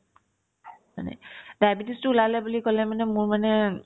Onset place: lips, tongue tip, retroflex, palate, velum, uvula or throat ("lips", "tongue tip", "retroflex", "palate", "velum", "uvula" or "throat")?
lips